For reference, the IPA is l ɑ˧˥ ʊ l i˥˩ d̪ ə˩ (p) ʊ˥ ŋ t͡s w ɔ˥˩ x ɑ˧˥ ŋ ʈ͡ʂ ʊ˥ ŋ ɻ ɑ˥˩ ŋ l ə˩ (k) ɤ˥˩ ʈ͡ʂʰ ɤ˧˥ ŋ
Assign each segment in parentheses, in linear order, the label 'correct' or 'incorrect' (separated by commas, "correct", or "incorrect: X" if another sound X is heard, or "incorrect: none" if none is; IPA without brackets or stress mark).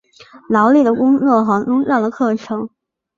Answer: incorrect: k, incorrect: kʰ